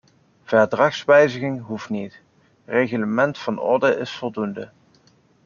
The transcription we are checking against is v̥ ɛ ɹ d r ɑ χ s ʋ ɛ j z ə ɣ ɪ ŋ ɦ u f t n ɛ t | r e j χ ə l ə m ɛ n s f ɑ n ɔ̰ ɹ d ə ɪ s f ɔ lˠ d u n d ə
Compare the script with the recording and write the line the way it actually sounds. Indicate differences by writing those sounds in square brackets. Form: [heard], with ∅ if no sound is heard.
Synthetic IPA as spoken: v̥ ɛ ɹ d r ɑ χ s ʋ ɛ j z ə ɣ ɪ ŋ ɦ u f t n [i] t | r e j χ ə l ə m ɛ n [t] f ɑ n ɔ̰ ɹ d ə ɪ s f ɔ lˠ d u n d ə